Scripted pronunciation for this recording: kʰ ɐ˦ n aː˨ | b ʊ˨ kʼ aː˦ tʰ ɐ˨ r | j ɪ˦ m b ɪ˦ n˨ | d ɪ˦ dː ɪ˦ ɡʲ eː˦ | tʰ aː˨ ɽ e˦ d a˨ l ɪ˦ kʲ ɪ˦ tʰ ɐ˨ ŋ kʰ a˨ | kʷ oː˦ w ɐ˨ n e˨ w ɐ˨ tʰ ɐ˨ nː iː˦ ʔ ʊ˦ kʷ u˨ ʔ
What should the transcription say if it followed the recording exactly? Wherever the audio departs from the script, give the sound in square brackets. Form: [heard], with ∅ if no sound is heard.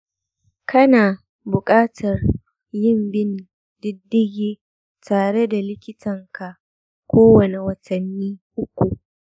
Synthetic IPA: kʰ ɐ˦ n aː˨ | b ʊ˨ kʼ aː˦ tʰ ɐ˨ r | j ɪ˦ m b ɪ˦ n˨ | d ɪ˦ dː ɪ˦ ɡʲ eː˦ | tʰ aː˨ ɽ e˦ d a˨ l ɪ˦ kʲ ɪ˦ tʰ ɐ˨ ŋ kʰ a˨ | kʷ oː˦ w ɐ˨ n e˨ w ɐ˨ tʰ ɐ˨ nː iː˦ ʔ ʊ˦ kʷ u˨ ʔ